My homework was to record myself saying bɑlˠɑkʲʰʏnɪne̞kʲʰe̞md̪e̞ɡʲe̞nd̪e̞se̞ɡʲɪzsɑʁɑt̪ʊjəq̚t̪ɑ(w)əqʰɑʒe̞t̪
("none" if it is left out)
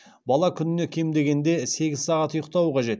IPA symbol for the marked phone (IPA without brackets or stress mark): w